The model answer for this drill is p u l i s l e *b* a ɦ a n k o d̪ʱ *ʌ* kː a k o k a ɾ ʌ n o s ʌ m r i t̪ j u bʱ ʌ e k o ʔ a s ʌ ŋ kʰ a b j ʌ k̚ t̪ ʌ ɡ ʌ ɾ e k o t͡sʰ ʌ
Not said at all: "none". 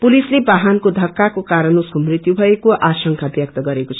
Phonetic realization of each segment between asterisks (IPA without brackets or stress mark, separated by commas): b, ʌ